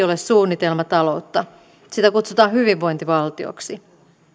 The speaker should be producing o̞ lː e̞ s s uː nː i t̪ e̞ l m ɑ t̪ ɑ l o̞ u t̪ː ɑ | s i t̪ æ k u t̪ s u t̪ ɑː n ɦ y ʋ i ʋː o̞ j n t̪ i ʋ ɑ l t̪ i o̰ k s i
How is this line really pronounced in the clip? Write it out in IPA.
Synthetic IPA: o̞ l e̞ s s uː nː i t̪ e̞ l m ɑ t̪ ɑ l o̞ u t̪ː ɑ | s i t̪ æ k u t̪ s u t̪ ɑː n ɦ y ʋ i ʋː o̞ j n t̪ i ʋ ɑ l t̪ i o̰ k s i